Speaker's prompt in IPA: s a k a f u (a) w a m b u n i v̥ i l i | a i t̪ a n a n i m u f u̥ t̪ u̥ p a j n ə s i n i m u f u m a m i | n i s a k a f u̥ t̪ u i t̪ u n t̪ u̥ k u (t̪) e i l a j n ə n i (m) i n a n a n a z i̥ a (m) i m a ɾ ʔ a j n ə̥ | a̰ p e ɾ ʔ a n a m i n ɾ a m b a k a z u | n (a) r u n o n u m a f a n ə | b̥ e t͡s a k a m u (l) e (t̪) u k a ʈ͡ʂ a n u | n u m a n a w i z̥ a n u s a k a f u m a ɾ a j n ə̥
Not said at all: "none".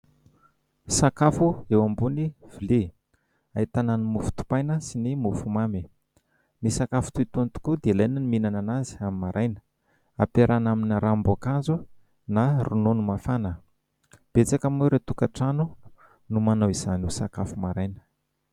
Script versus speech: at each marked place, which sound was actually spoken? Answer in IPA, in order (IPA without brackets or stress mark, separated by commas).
e, d̪, m, m, a, ɾ, t̪